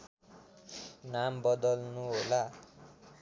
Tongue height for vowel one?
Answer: low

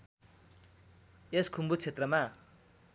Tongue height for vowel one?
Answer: mid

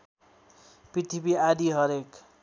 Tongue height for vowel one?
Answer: high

